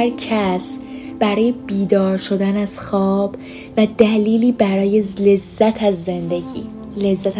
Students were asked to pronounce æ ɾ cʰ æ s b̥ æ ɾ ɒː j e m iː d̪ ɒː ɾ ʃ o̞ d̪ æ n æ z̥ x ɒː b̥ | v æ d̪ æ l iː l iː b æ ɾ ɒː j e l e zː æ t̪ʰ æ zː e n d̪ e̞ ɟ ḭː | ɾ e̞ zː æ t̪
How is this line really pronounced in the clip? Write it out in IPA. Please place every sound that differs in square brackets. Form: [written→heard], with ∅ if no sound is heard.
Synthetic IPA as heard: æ ɾ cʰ æ s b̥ æ ɾ ɒː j e [m→b] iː d̪ ɒː ɾ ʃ o̞ d̪ æ n æ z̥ x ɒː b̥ | v æ d̪ æ l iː l iː b æ ɾ ɒː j e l e zː æ t̪ʰ æ zː e n d̪ e̞ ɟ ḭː | [ɾ→l] e̞ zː æ t̪